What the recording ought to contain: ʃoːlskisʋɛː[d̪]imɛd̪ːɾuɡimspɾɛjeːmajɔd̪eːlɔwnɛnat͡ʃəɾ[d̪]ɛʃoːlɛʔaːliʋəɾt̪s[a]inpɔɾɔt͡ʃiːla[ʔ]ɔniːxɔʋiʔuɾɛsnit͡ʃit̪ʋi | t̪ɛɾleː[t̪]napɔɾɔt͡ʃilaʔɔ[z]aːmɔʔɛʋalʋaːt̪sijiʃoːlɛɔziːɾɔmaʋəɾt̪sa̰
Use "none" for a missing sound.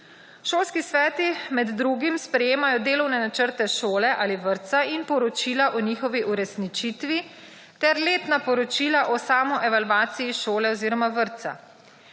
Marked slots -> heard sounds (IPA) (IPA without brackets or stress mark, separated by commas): t̪, t̪, a, ʔ, t̪, s